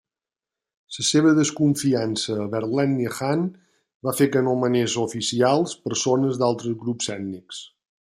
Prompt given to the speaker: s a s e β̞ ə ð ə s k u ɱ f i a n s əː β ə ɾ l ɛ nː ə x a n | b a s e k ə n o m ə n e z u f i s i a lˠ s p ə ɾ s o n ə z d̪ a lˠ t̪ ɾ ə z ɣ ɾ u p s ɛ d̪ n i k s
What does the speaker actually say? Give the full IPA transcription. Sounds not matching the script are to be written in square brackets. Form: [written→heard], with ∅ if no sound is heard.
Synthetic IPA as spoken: s [a→ə] s e β̞ ə ð ə s k u ɱ f i a n s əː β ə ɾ l ɛ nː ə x a n | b a [s→f] e k ə n o m ə n e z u f i s i a lˠ s p ə ɾ s o n ə z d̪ a lˠ t̪ ɾ ə z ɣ ɾ u p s ɛ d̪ n i k s

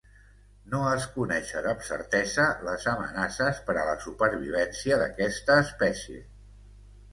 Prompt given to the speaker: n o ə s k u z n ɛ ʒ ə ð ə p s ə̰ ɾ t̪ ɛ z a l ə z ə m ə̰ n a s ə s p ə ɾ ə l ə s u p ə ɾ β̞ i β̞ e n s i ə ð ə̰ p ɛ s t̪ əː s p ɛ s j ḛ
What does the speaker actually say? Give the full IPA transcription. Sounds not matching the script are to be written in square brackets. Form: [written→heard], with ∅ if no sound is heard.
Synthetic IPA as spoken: n o ə s k u [z→∅] n ɛ [ʒ→ʃ] ə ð ə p s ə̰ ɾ t̪ ɛ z [a→ə] l ə z ə m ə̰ n a s ə s p ə ɾ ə l ə s u p ə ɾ β̞ i β̞ [e→ɛ] n s i ə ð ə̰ [p→k] ɛ s t̪ əː s p ɛ s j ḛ

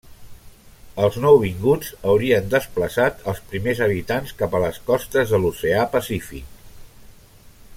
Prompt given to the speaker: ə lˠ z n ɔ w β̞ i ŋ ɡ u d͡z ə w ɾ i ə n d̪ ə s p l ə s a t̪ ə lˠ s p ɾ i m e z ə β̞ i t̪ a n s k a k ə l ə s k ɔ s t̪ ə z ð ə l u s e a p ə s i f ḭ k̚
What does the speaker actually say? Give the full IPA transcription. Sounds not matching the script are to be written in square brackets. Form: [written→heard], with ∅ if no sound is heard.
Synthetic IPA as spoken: ə lˠ z n ɔ w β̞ i ŋ ɡ u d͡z ə w ɾ i ə n d̪ ə s p l ə s a t̪ ə lˠ s p ɾ i m e z ə β̞ i t̪ a n s k a [k→p] ə l ə s k ɔ s t̪ ə z ð ə l u s e a p ə s i f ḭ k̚

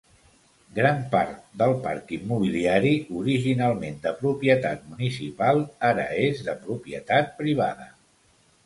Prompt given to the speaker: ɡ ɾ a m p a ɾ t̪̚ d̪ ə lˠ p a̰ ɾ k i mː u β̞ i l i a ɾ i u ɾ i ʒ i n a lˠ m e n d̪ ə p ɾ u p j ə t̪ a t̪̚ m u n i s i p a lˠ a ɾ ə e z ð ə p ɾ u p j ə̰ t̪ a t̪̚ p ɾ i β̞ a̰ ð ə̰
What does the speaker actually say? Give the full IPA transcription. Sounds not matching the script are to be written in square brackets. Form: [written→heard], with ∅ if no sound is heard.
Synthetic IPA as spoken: ɡ ɾ a m p a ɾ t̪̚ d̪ ə lˠ p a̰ ɾ k i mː u β̞ i l i a ɾ i u ɾ i ʒ i n a lˠ m e n d̪ ə p ɾ u p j ə t̪ a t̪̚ m u n i s i p a lˠ a ɾ ə e z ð ə p ɾ u p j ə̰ t̪ a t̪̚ p ɾ i β̞ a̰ ð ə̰

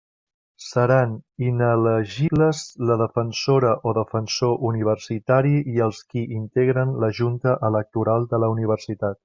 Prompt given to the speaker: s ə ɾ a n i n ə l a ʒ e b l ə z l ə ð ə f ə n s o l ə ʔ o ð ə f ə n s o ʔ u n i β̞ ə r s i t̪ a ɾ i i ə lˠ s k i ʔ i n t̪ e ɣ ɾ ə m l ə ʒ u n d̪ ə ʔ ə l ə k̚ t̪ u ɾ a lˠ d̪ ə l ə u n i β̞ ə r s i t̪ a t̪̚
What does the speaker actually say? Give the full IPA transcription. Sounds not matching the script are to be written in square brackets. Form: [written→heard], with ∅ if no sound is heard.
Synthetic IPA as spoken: s ə ɾ a n i n ə l [a→ə] ʒ [e→i] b l ə z l ə ð ə f ə n s o [l→ɾ] ə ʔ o ð ə f ə n s o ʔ u n i β̞ ə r s i t̪ a ɾ i i ə lˠ s k i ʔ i n t̪ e ɣ ɾ ə [m→n] l ə ʒ u n [d̪→t̪] ə ʔ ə l ə k̚ t̪ u ɾ a lˠ d̪ ə l ə u n i β̞ ə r s i t̪ a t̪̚

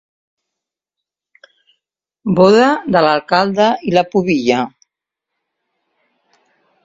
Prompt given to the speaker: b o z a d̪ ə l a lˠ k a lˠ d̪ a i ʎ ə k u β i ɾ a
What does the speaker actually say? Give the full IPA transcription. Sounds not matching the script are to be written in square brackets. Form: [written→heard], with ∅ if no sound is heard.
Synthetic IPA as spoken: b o [z→ð] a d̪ ə l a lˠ k a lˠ d̪ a i [ʎ→l] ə [k→p] u β i [ɾ→ʎ] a

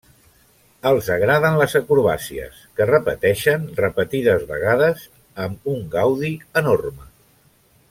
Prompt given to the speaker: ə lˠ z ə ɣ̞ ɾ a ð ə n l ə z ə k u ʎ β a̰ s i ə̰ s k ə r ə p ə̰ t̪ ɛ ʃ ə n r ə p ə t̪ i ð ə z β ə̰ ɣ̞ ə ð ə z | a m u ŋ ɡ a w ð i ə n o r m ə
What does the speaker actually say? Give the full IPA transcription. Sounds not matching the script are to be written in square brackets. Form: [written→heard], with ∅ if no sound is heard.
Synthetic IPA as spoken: ə lˠ z ə ɣ̞ ɾ a ð ə n l ə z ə k u [ʎ→ɾ] β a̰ s i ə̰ s k ə r ə p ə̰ t̪ ɛ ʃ ə n r ə p ə t̪ i ð ə z β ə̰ ɣ̞ [ə→a] ð ə z | [a→ə] m u ŋ ɡ a w ð i ə n o r m ə

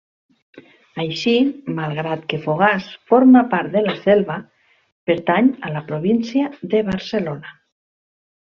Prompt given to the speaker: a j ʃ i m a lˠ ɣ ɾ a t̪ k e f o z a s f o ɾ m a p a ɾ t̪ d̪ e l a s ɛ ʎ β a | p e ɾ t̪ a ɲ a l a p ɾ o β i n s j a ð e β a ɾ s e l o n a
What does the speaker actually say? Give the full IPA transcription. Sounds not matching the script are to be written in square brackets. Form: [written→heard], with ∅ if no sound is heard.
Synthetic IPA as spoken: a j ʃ i m a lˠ ɣ ɾ a t̪ k e f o [z→ɣ] a s f o ɾ m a p a ɾ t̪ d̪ e l a s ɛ [ʎ→l] β a | p e ɾ t̪ a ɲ a l a p ɾ o β i n s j a ð e β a ɾ s e l o n a

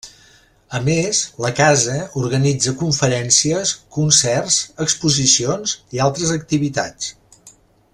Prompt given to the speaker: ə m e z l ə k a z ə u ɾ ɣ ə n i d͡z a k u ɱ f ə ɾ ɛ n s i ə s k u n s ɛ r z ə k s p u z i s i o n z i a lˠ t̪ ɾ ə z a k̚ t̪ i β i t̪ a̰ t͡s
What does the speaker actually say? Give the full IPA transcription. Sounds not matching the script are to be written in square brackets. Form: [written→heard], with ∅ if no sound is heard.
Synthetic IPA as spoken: ə m e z l ə k a z ə u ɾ ɣ ə n i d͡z [a→ə] k u ɱ f ə ɾ ɛ n s i ə s k u n s ɛ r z ə k s p u z i s i o n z i a lˠ t̪ ɾ ə z [a→ə] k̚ t̪ i β i t̪ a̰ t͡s

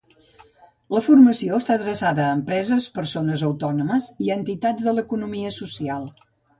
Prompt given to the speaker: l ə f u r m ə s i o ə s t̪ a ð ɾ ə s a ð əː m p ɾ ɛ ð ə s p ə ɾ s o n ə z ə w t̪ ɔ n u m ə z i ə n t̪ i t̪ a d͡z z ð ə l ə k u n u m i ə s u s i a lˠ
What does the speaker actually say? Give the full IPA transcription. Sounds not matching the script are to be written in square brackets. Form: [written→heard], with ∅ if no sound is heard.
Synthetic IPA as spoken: l ə f u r m ə s i o ə s t̪ a ð ɾ ə s a ð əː m p ɾ ɛ [ð→z] ə s p ə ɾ s o n ə z ə w t̪ ɔ n u m ə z i ə n t̪ i t̪ a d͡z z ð ə l ə k u n u m i ə s u s i a lˠ

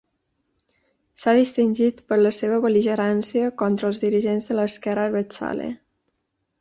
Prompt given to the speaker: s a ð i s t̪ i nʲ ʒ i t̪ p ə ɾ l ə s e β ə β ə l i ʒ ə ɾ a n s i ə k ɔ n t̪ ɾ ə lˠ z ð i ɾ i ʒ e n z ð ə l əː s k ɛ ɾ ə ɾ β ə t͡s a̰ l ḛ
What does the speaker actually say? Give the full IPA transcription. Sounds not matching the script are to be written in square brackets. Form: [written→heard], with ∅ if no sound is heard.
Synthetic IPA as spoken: s a ð i s t̪ i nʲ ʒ i t̪ p ə ɾ l ə s e β ə β ə l i ʒ ə ɾ a n s i ə k ɔ n t̪ ɾ ə lˠ z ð i ɾ i ʒ e n z ð ə l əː s k ɛ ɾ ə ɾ β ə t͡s a̰ l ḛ

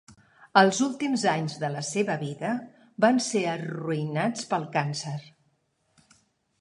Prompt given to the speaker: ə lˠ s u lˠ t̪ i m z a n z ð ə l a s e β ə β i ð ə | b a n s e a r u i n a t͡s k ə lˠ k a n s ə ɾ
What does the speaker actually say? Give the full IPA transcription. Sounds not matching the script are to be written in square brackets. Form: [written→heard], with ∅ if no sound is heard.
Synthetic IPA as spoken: ə lˠ [s→z] u lˠ t̪ i m z a [n→ɲ] z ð ə l [a→ə] s e β ə β i ð ə | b a n s e [a→ə] r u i n a t͡s [k→p] ə lˠ k a n s ə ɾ

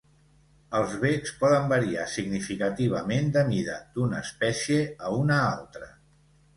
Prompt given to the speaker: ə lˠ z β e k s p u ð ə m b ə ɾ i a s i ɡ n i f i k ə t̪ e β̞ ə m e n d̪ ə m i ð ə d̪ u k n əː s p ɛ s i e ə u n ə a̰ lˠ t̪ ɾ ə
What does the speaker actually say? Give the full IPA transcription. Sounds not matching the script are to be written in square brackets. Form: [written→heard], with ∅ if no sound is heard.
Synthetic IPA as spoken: ə lˠ z β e k s p [u→ɔ] ð ə m b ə ɾ i a s i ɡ n i f i k ə t̪ [e→i] β̞ ə m e n d̪ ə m i ð ə d̪ u [k→∅] n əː s p ɛ s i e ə u n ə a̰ lˠ t̪ ɾ ə

